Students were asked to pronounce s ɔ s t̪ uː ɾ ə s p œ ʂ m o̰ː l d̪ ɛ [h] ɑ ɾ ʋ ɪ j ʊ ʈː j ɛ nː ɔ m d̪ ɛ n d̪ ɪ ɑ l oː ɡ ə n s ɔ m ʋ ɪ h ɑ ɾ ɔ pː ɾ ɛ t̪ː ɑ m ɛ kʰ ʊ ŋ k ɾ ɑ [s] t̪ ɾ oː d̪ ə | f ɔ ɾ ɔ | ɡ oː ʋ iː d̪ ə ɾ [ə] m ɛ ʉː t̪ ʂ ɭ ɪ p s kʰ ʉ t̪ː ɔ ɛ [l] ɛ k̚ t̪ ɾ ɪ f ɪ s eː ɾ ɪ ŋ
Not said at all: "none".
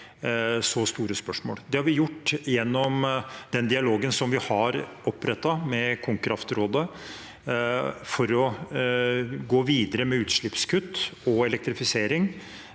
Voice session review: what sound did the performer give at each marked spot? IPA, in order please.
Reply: h, f, ə, l

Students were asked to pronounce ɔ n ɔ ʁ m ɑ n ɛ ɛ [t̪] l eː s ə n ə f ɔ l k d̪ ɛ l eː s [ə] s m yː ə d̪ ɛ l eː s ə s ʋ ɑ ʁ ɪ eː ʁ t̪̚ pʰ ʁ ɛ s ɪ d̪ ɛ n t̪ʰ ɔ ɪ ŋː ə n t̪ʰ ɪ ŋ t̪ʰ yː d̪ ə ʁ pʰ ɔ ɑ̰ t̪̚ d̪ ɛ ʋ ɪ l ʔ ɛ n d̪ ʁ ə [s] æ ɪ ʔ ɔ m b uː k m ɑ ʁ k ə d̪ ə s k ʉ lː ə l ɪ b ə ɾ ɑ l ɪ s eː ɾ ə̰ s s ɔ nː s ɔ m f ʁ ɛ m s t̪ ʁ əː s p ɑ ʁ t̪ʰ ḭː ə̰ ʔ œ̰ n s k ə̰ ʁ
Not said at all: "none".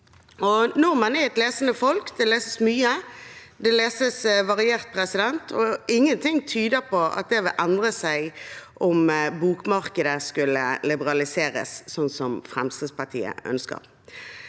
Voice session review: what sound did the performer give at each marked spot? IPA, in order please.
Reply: t̪, ə, s

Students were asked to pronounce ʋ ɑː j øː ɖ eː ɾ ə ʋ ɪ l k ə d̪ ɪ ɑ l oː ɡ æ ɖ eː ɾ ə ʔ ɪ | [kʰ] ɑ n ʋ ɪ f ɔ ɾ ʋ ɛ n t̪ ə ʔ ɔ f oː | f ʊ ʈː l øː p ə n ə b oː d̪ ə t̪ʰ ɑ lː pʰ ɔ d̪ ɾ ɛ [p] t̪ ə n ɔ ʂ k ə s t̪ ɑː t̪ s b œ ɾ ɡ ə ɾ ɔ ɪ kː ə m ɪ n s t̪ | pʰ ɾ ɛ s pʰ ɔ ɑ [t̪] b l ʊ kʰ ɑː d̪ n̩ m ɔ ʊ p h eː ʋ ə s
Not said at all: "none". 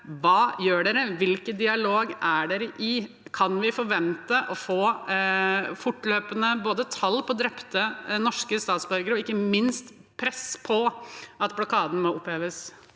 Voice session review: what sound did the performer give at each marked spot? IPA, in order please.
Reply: kʰ, p, t̪

